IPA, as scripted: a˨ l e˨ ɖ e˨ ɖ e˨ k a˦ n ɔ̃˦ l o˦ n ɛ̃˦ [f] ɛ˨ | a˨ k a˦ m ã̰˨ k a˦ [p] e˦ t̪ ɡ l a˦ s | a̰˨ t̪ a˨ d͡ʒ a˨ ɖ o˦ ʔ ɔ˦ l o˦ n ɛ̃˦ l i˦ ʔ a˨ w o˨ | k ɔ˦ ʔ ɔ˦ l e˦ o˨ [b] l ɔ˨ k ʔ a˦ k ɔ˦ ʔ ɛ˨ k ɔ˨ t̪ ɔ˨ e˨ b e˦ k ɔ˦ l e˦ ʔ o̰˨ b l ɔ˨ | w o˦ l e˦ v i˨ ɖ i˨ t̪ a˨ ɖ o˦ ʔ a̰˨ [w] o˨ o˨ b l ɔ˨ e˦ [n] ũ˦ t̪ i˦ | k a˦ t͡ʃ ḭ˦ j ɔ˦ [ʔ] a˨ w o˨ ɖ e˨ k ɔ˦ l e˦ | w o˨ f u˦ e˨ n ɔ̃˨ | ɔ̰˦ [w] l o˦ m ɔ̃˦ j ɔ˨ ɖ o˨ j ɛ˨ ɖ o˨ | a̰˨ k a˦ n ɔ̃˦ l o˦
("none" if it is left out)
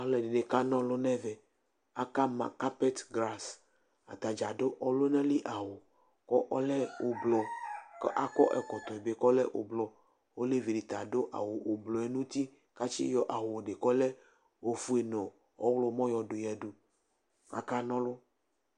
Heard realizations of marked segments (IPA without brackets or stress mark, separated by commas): v, p, b, w, n, ʔ, w